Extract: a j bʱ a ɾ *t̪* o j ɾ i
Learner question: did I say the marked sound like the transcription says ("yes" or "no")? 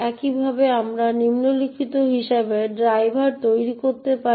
yes